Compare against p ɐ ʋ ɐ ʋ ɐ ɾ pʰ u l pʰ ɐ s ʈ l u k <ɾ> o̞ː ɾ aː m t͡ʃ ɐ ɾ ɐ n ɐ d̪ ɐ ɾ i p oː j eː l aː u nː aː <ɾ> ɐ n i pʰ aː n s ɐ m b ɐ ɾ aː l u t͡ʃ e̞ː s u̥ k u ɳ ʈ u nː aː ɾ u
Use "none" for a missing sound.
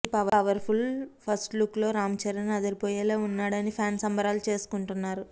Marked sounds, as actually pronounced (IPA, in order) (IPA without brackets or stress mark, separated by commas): l, ɽ